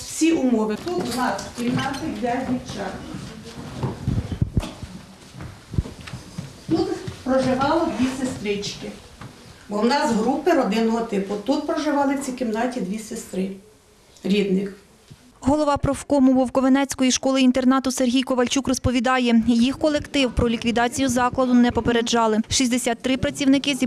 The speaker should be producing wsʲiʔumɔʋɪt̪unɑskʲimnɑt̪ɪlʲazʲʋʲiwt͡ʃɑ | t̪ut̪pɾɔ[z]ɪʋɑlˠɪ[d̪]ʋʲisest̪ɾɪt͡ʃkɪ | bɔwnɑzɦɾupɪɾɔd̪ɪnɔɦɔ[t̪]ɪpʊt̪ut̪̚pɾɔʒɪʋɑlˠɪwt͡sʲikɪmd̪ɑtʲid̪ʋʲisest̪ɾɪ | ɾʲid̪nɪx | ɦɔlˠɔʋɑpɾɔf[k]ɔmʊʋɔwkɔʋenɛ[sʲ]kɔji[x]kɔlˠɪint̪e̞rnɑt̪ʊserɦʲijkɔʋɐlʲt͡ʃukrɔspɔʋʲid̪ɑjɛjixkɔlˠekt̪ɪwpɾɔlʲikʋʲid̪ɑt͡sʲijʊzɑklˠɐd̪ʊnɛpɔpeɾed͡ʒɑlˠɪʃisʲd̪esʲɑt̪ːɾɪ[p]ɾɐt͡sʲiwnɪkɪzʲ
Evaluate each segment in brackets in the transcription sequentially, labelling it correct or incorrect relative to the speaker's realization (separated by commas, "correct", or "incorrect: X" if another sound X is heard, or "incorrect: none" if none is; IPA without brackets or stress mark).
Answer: incorrect: ʒ, correct, correct, correct, incorrect: t͡sʲ, incorrect: ʃ, correct